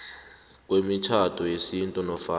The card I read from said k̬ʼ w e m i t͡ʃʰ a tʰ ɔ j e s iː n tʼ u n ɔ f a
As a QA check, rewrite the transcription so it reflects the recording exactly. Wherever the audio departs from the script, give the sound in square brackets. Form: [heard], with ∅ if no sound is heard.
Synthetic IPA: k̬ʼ w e m i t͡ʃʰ a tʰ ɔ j e s [i] n tʼ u n ɔ f a